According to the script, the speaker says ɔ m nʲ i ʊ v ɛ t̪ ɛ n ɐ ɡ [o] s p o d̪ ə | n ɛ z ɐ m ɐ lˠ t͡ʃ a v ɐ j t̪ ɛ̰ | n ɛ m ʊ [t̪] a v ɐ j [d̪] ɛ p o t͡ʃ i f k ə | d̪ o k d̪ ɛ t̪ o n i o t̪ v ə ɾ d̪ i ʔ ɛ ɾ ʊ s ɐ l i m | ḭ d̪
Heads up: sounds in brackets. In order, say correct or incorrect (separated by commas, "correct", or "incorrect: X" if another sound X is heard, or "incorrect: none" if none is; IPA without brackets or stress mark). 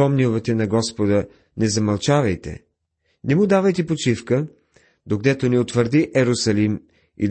incorrect: ɔ, incorrect: d̪, incorrect: t̪